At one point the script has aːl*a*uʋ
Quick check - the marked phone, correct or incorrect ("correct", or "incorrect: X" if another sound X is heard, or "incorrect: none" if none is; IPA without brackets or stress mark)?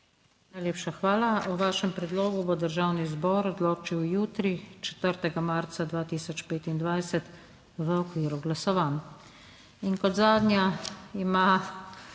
correct